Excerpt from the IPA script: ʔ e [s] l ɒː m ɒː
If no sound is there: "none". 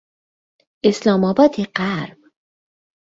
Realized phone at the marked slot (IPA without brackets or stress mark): s